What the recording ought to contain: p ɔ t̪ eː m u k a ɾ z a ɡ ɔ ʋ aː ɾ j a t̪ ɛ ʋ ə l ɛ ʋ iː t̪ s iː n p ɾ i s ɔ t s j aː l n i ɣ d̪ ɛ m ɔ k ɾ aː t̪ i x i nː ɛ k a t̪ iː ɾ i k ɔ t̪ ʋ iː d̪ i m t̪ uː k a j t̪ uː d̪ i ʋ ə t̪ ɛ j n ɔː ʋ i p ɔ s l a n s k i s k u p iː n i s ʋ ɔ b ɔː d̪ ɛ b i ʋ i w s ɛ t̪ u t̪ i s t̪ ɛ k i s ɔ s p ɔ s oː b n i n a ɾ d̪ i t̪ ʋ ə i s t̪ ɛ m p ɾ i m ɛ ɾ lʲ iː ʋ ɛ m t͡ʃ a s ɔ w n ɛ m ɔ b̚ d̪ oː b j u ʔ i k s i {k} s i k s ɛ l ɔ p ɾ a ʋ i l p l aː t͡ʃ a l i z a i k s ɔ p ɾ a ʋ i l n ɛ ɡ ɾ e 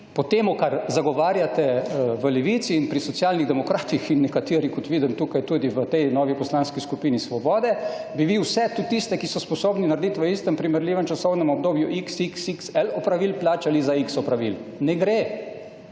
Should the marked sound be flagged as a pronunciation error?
no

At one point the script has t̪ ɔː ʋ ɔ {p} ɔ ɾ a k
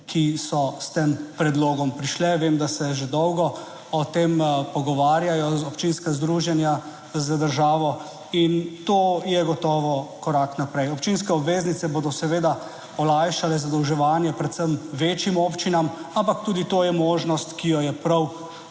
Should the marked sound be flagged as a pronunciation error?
yes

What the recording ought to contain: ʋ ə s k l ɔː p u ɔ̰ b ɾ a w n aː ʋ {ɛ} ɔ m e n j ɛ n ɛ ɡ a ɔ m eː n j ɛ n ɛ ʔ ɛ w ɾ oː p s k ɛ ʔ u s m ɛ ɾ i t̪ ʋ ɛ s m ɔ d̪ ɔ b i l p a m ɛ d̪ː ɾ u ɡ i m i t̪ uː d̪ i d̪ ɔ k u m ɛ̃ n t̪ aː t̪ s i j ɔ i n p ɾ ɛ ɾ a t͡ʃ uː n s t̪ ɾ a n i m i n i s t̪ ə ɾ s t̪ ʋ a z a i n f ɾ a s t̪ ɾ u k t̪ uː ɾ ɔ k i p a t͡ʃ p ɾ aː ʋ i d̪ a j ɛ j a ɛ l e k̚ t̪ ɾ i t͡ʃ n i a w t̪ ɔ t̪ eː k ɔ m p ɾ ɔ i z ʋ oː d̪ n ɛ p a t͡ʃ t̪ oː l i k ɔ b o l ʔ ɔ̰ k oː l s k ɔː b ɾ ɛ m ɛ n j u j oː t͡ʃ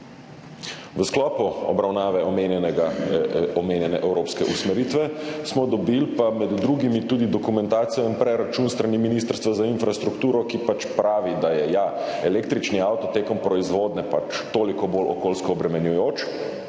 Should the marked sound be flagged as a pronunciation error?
no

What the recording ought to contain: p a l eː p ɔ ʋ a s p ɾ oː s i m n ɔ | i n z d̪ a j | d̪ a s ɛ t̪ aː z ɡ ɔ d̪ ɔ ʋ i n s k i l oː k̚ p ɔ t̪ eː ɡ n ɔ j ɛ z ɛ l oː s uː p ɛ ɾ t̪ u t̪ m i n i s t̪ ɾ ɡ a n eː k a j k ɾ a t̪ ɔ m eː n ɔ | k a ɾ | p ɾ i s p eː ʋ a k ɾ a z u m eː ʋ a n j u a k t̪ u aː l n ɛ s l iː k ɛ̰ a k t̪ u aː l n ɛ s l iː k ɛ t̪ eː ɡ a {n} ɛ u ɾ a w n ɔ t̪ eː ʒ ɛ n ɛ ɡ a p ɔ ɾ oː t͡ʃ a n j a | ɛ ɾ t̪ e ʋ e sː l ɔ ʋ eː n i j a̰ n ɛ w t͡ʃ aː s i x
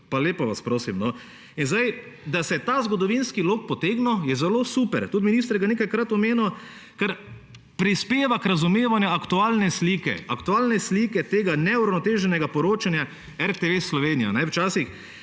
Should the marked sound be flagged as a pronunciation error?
no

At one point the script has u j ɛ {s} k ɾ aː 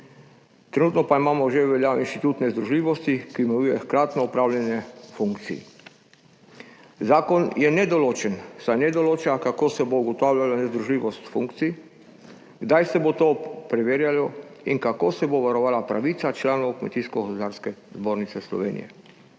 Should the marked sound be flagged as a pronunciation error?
yes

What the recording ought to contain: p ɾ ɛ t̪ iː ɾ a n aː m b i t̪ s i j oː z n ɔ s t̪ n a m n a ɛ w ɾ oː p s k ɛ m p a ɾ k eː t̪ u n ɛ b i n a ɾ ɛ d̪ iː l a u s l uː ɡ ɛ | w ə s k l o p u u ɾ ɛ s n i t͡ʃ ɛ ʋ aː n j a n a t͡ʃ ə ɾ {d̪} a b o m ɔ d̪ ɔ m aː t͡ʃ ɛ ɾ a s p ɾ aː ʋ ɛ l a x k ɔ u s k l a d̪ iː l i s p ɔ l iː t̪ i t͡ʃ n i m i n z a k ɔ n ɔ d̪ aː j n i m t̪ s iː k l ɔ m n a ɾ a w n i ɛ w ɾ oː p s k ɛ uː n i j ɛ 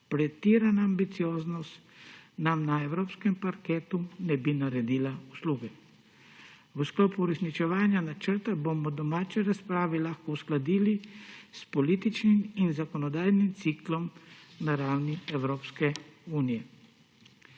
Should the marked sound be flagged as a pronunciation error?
yes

